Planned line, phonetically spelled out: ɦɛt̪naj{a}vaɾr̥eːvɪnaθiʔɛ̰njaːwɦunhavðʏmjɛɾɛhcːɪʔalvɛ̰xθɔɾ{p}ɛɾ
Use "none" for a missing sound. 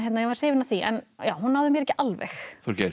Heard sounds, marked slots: ɛ, c

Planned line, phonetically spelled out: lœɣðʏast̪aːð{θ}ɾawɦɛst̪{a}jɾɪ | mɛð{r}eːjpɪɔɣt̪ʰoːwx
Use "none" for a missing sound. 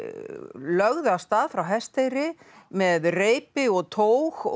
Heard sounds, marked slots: f, e, r

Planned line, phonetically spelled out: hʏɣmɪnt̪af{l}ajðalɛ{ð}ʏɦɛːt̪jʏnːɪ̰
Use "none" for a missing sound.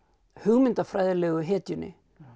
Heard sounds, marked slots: ɾ, ɣ

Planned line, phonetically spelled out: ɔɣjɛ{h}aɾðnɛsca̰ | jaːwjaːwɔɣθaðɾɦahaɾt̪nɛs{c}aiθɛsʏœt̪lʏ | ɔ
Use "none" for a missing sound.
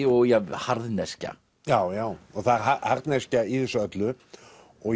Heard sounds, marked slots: h, c

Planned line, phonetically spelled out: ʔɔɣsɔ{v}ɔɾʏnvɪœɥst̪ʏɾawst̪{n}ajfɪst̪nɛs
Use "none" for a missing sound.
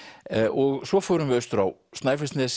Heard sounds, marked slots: f, n

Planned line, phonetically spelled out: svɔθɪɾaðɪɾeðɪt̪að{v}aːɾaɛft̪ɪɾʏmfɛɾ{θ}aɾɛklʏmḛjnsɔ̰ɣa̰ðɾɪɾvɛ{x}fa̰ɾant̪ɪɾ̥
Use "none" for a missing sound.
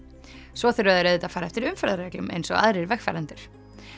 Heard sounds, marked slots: f, ð, x

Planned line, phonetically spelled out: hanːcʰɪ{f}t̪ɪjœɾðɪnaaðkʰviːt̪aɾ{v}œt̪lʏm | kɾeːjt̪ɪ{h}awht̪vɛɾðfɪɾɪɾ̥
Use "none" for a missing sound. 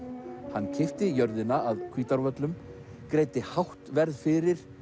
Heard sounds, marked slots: f, v, h

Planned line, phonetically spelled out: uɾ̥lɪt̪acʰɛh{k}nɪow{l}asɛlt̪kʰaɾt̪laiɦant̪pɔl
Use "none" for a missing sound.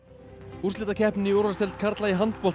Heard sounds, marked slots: p, ɾ

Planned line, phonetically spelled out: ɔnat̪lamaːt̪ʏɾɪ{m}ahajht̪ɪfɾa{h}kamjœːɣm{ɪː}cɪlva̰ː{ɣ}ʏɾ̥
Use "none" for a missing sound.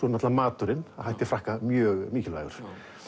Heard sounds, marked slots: n, h, iː, ɣ

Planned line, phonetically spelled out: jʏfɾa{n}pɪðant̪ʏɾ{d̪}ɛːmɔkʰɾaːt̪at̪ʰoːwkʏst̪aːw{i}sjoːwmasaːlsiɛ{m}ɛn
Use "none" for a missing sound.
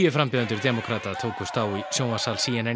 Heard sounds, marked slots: m, d̪, i, n

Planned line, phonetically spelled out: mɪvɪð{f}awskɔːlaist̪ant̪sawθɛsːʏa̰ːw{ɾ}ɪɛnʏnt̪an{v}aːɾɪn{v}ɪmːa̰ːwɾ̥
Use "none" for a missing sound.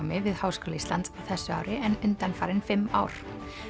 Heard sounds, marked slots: h, ɾ, f, f

